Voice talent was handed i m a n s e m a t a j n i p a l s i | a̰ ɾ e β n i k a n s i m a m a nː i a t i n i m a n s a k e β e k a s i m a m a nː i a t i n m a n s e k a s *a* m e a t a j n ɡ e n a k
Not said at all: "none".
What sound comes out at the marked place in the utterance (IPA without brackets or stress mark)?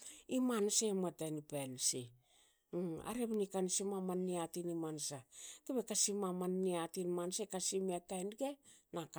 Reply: i